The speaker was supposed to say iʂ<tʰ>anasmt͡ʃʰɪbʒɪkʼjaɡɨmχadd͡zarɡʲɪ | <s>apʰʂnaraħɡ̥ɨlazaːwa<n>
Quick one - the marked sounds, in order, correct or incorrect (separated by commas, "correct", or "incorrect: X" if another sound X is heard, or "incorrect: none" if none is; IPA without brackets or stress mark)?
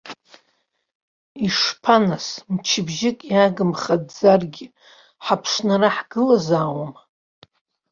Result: incorrect: pʰ, incorrect: ħ, incorrect: m